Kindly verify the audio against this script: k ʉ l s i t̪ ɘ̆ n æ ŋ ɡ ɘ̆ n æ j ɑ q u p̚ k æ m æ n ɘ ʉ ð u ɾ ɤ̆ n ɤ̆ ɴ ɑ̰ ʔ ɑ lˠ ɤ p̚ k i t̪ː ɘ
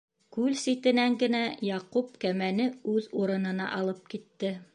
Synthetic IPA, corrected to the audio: k ʉ l s i t̪ ɘ̆ n æ ŋ ɡ ɘ̆ n æ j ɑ q u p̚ k æ m æ n ɘ ʉ ð u ɾ ɤ̆ n ɤ̆ n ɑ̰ ʔ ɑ lˠ ɤ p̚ k i t̪ː ɘ